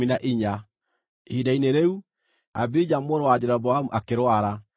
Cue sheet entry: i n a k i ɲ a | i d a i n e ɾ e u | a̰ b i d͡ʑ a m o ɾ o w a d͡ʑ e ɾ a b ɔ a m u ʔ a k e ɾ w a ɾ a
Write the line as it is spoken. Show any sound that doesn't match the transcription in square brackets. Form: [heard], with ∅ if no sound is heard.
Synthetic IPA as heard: i n a [ʔ] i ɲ a | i d a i n e ɾ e u | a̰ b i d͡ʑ a m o ɾ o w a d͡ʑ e ɾ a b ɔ a m u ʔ a k e ɾ w a ɾ a